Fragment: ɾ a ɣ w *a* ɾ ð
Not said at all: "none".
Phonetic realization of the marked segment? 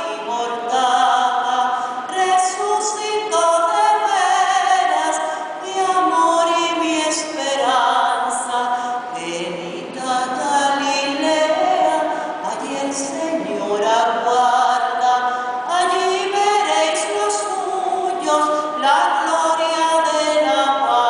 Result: a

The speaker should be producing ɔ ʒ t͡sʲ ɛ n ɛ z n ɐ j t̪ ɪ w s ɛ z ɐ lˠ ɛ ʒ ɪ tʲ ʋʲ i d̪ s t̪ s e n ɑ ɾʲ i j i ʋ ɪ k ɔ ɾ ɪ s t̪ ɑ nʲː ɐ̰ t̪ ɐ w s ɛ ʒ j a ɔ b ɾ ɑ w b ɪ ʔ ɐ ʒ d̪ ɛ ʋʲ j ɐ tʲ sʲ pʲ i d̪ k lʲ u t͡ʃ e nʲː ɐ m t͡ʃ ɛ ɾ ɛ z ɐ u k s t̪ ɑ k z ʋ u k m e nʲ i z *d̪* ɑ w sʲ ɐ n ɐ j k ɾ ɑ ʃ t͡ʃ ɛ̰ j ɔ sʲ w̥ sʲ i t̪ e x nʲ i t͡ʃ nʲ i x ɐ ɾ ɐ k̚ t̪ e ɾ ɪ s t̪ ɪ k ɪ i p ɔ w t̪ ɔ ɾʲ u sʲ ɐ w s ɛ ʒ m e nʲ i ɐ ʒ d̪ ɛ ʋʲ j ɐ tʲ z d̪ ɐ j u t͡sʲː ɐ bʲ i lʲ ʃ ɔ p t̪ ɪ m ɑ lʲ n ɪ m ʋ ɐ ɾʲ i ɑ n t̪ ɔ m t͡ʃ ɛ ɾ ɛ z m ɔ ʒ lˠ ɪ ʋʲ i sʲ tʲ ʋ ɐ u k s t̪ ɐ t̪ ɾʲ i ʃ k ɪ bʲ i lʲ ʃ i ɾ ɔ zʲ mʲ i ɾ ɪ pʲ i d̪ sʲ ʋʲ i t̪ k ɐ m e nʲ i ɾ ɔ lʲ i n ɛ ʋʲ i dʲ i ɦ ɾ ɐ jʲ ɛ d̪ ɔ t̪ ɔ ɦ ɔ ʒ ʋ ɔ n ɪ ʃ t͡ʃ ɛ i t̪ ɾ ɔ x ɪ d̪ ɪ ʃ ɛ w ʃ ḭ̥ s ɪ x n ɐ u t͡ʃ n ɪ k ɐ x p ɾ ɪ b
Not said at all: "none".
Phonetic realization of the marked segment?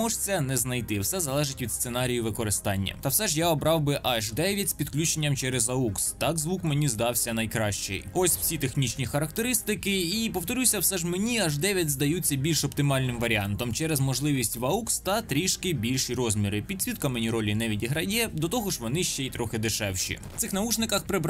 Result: d̪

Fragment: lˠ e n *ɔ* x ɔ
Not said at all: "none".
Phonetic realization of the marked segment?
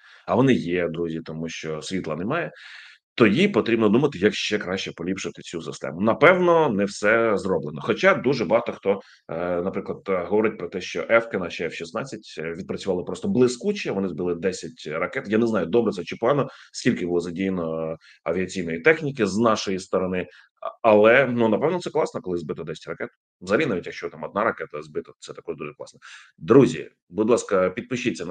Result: ɔ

